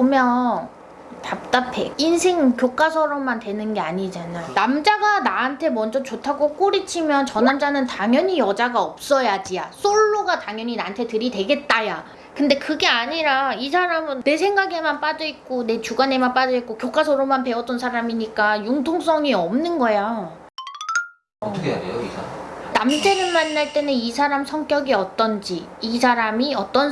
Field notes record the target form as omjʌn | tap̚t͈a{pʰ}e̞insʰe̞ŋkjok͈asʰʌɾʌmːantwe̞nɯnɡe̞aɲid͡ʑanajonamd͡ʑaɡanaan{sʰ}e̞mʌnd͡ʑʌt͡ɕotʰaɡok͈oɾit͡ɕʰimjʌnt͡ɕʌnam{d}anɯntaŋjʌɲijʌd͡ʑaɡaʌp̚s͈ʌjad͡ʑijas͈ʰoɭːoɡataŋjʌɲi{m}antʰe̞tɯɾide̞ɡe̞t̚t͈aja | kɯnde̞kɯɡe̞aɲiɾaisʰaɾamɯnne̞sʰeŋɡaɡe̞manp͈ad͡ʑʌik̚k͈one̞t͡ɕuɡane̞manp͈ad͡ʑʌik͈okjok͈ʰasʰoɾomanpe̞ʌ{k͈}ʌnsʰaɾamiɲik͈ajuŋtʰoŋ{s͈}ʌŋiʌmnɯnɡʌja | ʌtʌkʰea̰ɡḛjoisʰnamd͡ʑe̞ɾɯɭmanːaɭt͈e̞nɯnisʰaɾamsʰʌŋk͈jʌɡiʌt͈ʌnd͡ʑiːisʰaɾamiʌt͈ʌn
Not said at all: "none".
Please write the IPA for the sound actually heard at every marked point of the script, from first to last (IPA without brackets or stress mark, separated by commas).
pʰ, tʰ, d͡ʑ, n, t͈, s͈